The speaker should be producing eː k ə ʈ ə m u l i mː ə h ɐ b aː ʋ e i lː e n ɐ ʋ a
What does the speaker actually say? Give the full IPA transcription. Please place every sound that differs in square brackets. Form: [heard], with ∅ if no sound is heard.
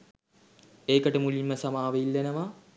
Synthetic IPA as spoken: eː k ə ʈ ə m u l i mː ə [s] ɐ [m] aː ʋ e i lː e n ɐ ʋ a